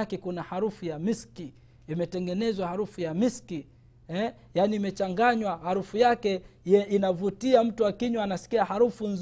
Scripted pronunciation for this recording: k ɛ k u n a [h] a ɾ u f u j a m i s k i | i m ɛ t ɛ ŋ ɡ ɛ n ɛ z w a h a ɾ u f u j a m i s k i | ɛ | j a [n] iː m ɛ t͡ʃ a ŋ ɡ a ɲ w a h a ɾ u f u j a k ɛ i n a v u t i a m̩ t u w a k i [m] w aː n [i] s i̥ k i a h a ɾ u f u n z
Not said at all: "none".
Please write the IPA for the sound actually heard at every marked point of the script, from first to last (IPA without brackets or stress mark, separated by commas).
h, n, ɲ, a